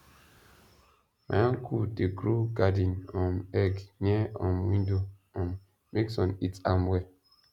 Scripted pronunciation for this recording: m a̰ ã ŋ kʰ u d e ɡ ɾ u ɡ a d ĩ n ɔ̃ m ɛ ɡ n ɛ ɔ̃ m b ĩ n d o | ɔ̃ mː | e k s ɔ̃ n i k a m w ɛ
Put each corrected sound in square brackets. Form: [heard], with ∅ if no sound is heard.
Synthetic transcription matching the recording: m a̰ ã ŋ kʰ u d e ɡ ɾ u ɡ a d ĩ n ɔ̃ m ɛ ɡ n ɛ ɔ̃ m [w] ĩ n d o | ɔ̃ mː | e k s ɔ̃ n i [t] a m w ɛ